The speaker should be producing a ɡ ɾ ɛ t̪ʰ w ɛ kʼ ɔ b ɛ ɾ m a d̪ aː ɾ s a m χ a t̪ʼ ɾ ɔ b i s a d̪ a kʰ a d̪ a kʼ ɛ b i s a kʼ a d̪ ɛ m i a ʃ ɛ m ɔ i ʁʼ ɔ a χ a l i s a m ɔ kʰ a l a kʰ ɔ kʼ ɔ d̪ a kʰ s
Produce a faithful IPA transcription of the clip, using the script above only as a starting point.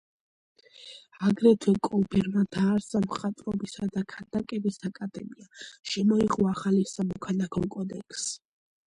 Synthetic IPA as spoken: a ɡ ɾ ɛ t̪ʰ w ɛ kʼ ɔ b ɛ ɾ m a d̪ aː ɾ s a m χ a t̪ʼ ɾ ɔ b i s a d̪ a kʰ a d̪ a kʼ ɛ b i s a kʼ a d̪ ɛ m i a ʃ ɛ m ɔ i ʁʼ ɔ a χ a l i s a m ɔ kʰ a l a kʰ ɔ kʼ ɔ d̪ ɛ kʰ s